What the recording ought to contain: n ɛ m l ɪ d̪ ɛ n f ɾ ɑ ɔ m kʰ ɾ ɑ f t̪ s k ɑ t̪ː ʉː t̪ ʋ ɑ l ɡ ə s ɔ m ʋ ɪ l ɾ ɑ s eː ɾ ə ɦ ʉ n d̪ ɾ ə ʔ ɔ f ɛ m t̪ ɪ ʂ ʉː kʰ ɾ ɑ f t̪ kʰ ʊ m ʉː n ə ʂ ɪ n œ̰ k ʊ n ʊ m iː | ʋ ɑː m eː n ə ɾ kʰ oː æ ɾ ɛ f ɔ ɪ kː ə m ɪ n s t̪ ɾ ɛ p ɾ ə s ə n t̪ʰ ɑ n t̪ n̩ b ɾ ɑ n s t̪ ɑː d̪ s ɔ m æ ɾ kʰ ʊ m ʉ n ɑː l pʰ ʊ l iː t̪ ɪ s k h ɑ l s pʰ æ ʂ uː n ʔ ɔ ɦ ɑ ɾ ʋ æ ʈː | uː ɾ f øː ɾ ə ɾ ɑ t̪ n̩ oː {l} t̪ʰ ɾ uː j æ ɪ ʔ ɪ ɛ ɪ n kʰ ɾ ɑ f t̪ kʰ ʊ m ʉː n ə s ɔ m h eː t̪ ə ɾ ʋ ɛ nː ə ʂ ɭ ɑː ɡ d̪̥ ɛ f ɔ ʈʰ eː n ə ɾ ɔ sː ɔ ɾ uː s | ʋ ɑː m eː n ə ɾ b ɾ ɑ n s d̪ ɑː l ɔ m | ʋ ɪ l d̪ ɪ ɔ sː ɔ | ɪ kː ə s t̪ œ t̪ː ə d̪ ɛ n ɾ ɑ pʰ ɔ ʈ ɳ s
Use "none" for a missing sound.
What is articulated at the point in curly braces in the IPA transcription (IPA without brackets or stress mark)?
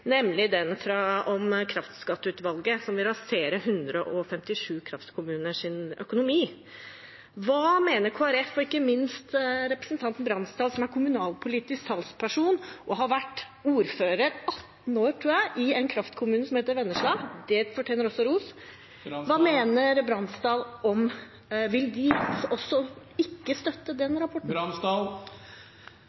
ɾ